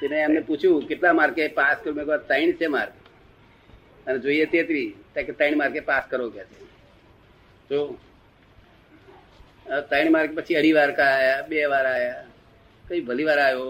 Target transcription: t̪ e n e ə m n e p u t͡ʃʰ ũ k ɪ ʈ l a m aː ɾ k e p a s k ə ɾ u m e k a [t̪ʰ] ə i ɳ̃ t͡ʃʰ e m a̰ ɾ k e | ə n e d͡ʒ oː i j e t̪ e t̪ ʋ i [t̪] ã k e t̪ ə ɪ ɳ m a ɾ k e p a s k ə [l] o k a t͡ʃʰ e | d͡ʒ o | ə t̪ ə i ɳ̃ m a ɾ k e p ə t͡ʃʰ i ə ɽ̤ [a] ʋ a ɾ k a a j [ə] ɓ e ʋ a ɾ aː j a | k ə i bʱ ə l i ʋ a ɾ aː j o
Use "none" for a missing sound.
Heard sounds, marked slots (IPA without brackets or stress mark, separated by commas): t̪, t̪, ɾ, i, a